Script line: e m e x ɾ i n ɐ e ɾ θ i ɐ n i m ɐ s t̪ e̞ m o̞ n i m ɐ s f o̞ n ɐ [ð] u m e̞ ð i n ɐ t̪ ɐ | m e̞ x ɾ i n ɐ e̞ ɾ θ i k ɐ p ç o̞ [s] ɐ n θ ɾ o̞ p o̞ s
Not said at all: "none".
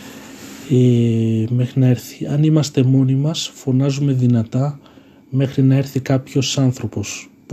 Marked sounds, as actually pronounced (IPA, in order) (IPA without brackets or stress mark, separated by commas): z, s